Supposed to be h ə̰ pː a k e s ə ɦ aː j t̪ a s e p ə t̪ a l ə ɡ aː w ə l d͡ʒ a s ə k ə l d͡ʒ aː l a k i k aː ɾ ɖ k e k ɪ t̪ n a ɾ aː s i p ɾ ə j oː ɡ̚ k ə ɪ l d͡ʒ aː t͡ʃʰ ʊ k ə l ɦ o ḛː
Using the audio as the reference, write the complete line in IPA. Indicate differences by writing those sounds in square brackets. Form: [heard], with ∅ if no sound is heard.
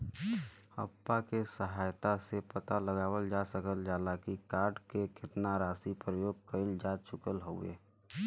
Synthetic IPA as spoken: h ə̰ pː a k e s ə ɦ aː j t̪ a s e p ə t̪ a l ə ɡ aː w ə l d͡ʒ a s ə k ə l d͡ʒ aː l a k i k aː ɾ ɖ k e k ɪ t̪ n a ɾ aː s i p ɾ ə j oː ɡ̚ k ə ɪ l d͡ʒ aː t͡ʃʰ ʊ k ə l ɦ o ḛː